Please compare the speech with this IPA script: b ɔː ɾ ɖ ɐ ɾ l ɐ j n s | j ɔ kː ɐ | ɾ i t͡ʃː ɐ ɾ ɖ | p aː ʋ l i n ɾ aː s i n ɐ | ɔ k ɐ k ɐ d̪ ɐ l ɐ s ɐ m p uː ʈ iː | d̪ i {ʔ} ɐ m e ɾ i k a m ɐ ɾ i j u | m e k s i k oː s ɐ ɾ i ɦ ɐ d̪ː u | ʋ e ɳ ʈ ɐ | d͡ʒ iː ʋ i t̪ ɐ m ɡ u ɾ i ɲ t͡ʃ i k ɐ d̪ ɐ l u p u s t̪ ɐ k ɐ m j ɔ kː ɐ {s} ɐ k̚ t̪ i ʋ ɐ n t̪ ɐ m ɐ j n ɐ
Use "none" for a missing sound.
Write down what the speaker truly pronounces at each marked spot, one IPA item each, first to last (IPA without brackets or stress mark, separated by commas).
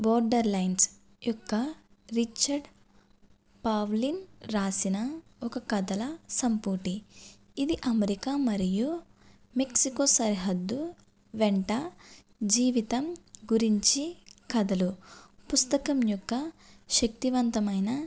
ʔ, ʃ